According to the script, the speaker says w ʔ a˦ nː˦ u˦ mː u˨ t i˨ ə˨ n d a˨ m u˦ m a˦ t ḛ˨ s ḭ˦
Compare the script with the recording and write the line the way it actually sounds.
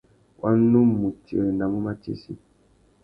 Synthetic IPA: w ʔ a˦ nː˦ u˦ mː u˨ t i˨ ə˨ n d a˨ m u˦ m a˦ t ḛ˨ s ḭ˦